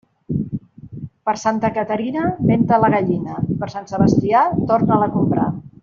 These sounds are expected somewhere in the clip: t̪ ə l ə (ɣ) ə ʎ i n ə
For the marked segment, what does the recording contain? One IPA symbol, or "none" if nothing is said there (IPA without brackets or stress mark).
ɣ